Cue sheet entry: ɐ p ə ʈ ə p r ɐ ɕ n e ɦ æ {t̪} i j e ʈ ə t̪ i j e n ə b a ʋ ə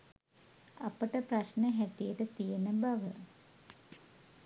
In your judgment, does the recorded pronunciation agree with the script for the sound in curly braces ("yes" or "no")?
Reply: yes